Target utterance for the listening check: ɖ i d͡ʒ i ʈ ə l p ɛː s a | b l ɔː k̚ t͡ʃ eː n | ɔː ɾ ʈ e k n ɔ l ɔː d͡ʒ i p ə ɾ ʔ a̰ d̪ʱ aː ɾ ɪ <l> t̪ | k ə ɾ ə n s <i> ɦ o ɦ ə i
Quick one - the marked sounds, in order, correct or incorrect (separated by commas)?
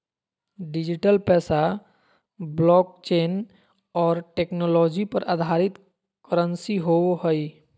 incorrect, correct